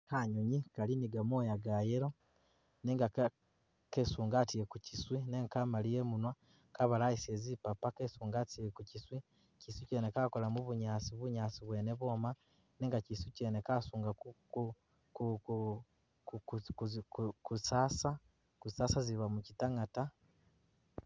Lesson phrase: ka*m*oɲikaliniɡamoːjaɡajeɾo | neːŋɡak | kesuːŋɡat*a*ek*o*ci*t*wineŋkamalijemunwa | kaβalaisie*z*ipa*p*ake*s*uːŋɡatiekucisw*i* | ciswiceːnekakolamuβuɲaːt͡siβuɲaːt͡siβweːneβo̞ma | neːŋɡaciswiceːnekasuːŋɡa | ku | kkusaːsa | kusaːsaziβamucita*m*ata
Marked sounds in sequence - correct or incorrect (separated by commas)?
incorrect, incorrect, incorrect, incorrect, correct, correct, correct, correct, incorrect